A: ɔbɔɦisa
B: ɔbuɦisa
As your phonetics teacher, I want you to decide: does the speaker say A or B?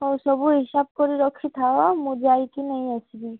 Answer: B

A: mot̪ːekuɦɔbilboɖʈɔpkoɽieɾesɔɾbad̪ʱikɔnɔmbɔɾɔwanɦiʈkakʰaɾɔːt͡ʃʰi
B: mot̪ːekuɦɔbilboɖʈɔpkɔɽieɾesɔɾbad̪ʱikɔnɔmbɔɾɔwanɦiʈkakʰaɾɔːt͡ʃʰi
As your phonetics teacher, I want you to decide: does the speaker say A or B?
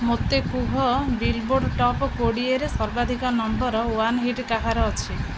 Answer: A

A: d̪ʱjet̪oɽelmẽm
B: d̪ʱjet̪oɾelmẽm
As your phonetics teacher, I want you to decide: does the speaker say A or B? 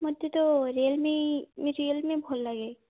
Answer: B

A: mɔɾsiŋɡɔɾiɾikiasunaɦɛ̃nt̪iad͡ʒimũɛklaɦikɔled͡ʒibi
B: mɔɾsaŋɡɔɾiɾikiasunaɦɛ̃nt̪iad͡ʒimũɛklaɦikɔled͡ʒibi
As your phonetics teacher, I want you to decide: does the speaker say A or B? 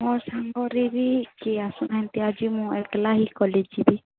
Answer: B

